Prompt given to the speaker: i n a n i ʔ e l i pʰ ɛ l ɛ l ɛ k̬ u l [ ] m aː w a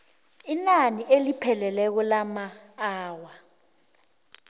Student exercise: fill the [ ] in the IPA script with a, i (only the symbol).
a